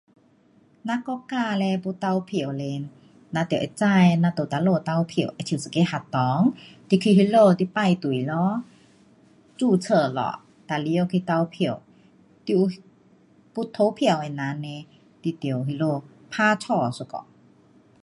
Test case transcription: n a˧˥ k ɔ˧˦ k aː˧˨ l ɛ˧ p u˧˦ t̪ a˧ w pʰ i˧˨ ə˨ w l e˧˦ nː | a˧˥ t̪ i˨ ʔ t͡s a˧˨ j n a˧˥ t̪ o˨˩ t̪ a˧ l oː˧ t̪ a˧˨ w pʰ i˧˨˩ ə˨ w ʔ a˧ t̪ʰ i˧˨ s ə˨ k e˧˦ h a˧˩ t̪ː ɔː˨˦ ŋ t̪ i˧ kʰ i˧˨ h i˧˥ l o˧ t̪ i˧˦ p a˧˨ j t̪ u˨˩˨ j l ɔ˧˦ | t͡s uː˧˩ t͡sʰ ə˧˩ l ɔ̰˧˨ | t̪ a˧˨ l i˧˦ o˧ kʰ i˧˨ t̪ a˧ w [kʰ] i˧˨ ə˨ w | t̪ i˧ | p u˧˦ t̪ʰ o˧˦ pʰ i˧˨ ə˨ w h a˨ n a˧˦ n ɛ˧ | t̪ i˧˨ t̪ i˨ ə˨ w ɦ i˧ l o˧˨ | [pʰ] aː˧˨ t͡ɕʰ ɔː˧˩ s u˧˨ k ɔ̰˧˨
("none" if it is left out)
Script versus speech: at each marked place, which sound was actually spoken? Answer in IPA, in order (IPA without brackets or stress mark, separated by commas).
pʰ, pʰ